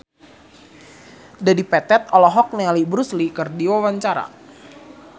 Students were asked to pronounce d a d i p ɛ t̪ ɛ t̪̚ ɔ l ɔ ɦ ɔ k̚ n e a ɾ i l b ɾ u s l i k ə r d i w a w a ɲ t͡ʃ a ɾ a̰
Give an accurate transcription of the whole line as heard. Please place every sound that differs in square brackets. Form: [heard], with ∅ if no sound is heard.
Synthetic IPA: d a d i p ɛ t̪ ɛ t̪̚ ɔ l ɔ ɦ ɔ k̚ n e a [l] i [∅] b ɾ u s l i k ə r d i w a w a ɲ t͡ʃ a ɾ a̰